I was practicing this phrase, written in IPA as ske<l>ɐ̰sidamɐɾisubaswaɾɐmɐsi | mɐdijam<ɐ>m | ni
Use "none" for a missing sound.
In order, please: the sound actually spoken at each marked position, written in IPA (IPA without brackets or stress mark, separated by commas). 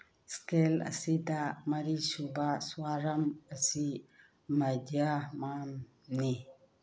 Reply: l, a